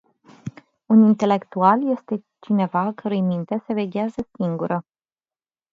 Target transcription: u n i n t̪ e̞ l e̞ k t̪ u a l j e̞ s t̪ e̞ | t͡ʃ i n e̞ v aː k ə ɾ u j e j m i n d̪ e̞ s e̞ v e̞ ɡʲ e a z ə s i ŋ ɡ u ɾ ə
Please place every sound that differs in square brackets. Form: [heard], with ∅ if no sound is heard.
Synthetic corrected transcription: u n i n t̪ e̞ l e̞ k t̪ u a l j e̞ s t̪ e̞ | t͡ʃ i n e̞ v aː k ə ɾ u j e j m i n [t̪] e̞ s e̞ v e̞ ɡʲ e a z ə s i ŋ ɡ u ɾ ə